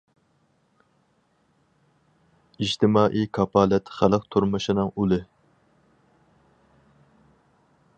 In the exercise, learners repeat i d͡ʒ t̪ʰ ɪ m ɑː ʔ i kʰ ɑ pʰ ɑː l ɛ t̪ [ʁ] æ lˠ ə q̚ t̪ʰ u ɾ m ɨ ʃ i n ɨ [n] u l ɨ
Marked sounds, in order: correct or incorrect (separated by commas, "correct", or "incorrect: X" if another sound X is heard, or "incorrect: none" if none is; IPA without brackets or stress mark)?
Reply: incorrect: χ, incorrect: ŋ